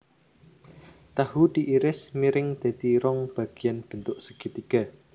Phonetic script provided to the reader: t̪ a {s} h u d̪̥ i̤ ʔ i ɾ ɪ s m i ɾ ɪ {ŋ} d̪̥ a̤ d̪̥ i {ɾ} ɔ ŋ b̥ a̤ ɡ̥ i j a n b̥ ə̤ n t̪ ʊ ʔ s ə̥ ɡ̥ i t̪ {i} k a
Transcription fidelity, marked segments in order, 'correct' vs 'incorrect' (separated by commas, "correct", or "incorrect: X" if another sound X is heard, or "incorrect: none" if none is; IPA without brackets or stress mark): incorrect: none, correct, correct, correct